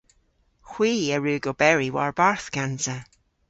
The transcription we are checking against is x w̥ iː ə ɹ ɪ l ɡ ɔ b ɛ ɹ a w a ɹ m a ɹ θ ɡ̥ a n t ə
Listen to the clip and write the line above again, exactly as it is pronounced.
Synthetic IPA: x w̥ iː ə ɹ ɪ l ɡ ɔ b ɛ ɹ i w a ɹ b a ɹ θ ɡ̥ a n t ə